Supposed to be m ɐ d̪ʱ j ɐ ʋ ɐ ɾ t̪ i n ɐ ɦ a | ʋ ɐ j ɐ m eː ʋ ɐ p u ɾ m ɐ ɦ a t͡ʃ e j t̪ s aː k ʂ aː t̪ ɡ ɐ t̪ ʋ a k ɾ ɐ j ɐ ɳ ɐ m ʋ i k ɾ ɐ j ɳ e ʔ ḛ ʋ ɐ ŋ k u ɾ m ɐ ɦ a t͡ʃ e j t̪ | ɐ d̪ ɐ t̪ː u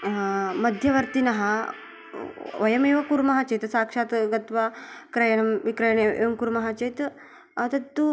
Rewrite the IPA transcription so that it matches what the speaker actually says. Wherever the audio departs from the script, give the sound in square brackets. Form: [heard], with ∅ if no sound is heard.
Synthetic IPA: m ɐ d̪ʱ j ɐ ʋ ɐ ɾ t̪ i n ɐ ɦ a | ʋ ɐ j ɐ m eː ʋ ɐ [k] u ɾ m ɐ ɦ a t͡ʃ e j t̪ s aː k ʂ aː t̪ ɡ ɐ t̪ ʋ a k ɾ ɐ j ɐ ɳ ɐ m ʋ i k ɾ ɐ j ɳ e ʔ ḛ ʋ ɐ [m] k u ɾ m ɐ ɦ a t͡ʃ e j t̪ | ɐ [t̪] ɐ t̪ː u